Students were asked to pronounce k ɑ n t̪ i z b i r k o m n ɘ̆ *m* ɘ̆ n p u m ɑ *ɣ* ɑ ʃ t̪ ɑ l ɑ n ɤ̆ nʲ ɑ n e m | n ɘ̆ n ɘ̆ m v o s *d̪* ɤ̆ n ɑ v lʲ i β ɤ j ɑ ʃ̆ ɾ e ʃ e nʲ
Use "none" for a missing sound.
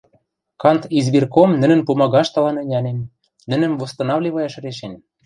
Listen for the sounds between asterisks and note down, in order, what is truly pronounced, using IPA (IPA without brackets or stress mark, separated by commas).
n, ɣ, t̪